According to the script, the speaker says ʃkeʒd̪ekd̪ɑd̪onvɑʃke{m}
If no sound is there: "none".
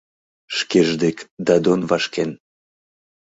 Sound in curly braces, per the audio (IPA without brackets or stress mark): n